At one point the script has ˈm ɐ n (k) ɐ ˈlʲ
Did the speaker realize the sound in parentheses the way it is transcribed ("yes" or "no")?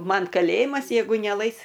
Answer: yes